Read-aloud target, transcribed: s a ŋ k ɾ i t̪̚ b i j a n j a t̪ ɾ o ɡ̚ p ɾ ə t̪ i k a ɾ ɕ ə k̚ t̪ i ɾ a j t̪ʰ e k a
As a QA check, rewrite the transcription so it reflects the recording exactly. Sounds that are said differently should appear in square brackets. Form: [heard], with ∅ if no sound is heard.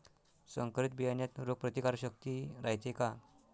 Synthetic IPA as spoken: s [ə] ŋ k ɾ i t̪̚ b i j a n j a t̪ ɾ o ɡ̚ p ɾ ə t̪ i k a ɾ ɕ ə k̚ t̪ i ɾ a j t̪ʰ e k a